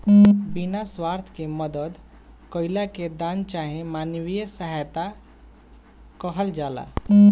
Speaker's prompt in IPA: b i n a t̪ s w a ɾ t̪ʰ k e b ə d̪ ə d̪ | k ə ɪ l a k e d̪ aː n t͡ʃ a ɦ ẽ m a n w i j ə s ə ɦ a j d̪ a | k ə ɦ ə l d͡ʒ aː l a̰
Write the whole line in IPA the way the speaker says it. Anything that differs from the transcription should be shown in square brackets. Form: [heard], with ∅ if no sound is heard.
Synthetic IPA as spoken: b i n a [∅] s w a ɾ t̪ʰ k e [m] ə d̪ ə d̪ | k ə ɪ l a k e d̪ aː n t͡ʃ a ɦ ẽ m a n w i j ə s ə ɦ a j [t̪] a | k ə ɦ ə l d͡ʒ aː l a̰